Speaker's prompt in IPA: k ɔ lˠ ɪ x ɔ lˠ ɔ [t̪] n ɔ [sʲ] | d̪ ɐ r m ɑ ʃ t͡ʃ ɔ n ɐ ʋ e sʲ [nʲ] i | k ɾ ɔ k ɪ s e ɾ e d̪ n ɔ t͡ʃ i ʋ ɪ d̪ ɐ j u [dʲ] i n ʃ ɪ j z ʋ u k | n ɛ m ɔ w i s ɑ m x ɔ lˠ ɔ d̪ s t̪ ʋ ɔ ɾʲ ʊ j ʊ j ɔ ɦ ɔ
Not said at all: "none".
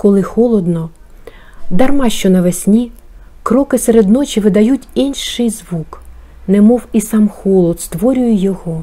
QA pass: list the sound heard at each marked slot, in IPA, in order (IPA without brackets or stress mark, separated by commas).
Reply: d̪, none, nʲ, tʲ